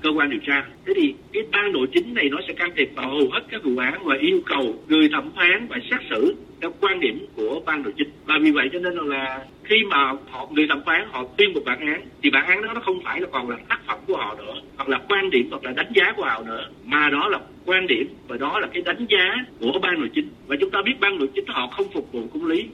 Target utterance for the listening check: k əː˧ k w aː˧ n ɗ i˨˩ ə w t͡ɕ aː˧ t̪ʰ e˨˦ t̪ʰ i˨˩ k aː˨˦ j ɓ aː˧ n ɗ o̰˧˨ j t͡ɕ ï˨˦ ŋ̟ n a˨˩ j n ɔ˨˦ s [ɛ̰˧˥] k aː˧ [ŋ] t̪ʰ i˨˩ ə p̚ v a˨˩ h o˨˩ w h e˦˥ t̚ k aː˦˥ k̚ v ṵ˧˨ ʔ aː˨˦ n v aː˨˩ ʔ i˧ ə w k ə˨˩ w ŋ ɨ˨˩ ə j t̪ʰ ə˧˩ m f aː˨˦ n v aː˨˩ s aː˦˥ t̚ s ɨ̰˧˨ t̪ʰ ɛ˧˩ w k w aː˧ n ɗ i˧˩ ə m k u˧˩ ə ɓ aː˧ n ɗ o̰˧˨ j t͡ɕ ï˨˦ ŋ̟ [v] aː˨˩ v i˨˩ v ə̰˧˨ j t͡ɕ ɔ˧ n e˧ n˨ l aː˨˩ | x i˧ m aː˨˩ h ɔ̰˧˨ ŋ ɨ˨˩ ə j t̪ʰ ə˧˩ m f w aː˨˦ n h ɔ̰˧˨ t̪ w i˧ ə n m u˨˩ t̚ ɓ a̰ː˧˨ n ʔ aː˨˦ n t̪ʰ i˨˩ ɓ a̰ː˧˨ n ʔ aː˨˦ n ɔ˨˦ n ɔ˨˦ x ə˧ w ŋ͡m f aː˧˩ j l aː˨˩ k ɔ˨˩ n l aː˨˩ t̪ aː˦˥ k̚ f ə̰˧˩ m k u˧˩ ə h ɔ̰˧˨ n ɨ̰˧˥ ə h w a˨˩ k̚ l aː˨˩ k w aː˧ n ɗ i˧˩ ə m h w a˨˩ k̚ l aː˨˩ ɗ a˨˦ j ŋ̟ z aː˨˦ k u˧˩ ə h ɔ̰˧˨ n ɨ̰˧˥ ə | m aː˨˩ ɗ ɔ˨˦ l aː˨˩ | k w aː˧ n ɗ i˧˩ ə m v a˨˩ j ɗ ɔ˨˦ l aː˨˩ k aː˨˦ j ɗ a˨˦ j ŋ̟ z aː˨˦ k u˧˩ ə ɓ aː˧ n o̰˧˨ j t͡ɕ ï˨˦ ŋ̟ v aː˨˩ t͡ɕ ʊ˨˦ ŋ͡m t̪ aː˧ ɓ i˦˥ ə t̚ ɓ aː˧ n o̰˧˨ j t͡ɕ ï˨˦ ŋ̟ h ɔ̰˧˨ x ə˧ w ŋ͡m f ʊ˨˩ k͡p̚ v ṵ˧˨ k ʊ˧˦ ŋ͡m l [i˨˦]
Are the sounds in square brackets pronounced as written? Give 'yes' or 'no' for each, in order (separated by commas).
yes, no, yes, yes